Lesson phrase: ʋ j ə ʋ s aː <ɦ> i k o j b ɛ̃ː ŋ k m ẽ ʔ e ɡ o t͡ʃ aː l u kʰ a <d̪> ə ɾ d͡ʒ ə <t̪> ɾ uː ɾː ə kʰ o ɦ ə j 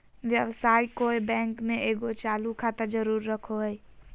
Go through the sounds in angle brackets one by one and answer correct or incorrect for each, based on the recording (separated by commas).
incorrect, incorrect, incorrect